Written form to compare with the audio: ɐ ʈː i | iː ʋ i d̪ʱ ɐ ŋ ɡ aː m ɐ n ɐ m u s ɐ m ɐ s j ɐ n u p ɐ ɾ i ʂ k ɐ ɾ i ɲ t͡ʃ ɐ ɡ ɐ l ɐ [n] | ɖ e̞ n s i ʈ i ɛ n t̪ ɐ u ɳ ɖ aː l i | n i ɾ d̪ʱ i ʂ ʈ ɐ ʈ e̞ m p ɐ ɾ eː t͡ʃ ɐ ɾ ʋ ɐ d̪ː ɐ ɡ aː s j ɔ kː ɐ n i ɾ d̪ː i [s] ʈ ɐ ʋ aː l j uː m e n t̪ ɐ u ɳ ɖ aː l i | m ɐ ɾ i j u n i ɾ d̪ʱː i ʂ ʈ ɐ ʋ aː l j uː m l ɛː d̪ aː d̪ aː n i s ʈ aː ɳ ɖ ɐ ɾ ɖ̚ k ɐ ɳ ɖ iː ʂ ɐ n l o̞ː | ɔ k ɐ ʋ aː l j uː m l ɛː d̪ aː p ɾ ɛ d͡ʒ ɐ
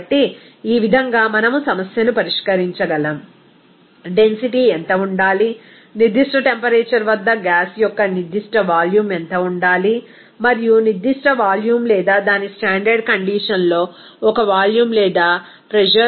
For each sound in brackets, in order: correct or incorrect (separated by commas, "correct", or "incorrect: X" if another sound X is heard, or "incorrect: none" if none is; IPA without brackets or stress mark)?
incorrect: m, incorrect: ʂ